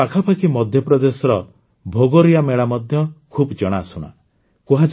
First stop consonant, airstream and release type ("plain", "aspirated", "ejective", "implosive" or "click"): aspirated